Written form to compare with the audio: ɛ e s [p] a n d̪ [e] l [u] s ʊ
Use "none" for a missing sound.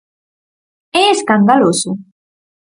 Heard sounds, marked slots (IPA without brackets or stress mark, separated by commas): k, a, o